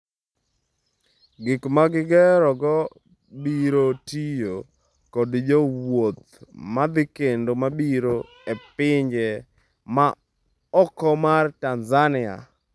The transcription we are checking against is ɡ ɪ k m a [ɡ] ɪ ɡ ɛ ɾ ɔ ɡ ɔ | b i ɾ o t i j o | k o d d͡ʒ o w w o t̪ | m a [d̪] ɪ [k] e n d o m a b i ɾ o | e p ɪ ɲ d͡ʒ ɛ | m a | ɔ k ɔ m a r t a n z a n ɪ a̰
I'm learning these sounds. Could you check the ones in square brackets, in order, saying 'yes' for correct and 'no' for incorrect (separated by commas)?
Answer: yes, yes, yes